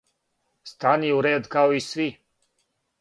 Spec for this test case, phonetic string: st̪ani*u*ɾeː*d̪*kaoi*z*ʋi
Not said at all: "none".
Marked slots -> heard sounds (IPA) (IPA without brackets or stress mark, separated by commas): u, d̪, s